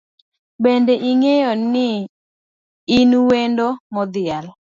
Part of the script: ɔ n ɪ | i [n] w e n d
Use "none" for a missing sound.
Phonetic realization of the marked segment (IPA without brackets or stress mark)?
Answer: n